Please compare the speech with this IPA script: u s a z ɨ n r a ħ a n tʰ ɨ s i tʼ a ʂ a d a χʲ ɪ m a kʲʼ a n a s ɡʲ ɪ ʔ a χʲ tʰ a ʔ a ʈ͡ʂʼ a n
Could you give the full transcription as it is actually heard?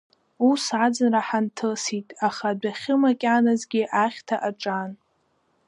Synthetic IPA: u s a d͡z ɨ n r a ħ a n tʰ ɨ s i tʼ a χ a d a χʲ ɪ m a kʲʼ a n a z ɡʲ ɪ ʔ a χʲ tʰ a ʔ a ʈ͡ʂʼ a n